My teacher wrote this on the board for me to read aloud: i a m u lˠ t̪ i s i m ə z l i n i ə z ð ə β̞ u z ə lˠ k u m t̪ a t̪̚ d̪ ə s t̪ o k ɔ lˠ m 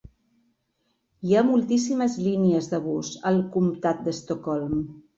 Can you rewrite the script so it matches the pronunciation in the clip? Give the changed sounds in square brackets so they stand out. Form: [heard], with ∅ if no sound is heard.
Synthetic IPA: i a m u lˠ t̪ i s i m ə z l i n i ə z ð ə β̞ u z ə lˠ k u m t̪ a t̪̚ d̪ ə s t̪ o k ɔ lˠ m